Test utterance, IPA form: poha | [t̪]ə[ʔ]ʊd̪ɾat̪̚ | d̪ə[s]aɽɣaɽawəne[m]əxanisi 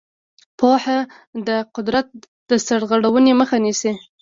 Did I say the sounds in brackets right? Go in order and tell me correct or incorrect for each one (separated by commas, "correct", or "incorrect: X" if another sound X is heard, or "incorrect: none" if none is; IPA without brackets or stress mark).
incorrect: d̪, incorrect: q, correct, correct